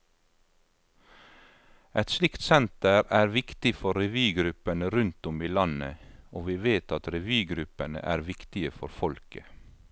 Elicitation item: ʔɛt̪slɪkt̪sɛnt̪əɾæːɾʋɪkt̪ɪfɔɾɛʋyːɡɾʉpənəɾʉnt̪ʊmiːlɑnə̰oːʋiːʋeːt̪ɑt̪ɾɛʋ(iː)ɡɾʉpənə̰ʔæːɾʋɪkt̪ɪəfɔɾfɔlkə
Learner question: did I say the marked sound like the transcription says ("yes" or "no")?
no